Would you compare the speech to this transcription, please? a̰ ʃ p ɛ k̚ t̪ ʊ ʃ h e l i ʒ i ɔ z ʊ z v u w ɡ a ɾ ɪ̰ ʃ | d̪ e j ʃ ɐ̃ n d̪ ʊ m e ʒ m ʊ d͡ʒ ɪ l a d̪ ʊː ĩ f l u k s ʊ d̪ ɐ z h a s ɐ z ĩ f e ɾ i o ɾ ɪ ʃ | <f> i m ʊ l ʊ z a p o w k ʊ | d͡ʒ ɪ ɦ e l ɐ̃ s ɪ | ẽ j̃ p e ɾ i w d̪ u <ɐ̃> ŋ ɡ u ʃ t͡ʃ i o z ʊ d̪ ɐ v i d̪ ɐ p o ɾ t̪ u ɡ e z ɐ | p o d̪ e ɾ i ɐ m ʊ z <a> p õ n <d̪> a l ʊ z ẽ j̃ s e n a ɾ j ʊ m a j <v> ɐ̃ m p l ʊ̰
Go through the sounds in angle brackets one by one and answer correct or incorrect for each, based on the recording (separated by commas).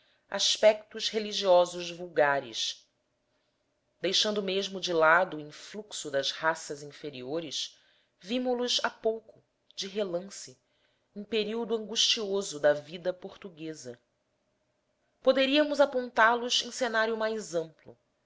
incorrect, correct, correct, incorrect, incorrect